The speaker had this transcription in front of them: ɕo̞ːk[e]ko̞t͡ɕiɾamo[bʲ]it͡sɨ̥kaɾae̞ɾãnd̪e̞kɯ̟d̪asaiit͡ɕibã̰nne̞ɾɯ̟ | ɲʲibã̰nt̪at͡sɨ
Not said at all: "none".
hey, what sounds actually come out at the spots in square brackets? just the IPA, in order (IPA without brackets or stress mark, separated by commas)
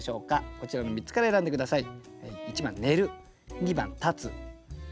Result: a, mʲ